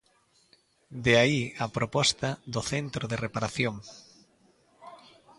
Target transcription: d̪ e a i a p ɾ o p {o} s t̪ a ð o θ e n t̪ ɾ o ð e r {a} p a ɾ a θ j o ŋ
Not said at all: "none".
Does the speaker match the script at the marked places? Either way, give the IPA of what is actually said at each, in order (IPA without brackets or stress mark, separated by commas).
ɔ, e